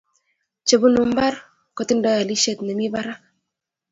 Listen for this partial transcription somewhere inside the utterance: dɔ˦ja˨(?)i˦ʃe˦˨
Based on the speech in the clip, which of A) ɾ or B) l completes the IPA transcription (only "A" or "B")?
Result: B